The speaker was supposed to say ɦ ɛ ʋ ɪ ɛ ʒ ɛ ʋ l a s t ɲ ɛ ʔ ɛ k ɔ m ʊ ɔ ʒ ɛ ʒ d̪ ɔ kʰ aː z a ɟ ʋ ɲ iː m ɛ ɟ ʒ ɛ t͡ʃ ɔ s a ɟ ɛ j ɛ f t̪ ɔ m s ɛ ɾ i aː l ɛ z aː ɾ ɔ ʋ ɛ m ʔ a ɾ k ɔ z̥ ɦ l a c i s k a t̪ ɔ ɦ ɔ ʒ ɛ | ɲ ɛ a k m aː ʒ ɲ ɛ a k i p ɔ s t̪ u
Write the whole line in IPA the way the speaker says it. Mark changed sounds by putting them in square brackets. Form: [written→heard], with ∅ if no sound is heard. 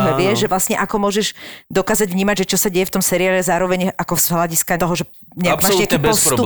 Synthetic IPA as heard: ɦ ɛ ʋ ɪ ɛ ʒ ɛ ʋ l a s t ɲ ɛ ʔ [ɛ→a] k ɔ m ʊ ɔ ʒ ɛ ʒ d̪ ɔ [kʰ→k] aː z a ɟ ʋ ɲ iː m [ɛ→a] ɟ ʒ ɛ t͡ʃ ɔ s a ɟ ɛ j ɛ f t̪ ɔ m s ɛ ɾ i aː l ɛ z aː ɾ ɔ ʋ ɛ [m→ɲ] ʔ a [ɾ→∅] k ɔ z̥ ɦ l a [c→ɟ] i s k a t̪ ɔ ɦ ɔ ʒ ɛ | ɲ ɛ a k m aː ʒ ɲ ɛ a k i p ɔ s t̪ u